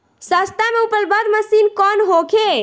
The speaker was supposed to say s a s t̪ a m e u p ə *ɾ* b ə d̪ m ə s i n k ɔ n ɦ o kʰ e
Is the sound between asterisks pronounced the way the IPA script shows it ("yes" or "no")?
no